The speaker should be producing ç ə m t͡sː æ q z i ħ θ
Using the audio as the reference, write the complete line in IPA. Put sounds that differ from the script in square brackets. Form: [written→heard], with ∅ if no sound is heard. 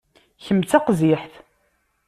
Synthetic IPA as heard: ç ə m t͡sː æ q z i ħ θ